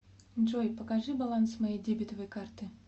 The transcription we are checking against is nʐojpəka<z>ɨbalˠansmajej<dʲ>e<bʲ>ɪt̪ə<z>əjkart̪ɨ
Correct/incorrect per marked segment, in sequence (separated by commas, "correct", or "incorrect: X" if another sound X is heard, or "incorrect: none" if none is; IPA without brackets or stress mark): incorrect: ʐ, correct, correct, incorrect: v